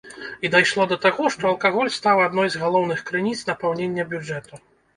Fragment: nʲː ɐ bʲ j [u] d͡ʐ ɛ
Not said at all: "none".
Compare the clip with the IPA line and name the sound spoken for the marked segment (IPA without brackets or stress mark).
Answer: u